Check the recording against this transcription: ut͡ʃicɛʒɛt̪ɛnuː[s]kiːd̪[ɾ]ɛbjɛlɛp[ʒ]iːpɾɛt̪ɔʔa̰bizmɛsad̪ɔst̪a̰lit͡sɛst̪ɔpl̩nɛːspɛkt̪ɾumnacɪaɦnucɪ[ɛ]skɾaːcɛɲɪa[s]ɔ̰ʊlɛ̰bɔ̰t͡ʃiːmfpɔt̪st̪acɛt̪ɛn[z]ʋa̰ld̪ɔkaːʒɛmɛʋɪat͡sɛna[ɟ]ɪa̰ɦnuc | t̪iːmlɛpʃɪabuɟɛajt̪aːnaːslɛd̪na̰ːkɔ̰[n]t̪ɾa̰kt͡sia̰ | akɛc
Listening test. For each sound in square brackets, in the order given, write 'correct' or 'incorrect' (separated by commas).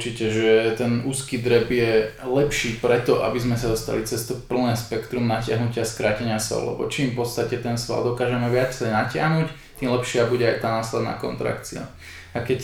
correct, correct, incorrect, incorrect, correct, incorrect, incorrect, correct